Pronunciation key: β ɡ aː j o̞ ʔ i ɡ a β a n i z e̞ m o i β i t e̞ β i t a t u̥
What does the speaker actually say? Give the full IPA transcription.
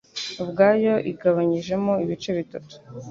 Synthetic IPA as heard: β ɡ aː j o̞ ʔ i ɡ a β a ɲ i ʒ e̞ m o i β i t͡ʃ e̞ β i t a t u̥